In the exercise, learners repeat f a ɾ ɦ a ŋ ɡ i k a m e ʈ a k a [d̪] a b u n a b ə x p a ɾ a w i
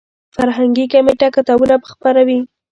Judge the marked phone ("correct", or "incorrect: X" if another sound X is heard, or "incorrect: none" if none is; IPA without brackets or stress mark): incorrect: t̪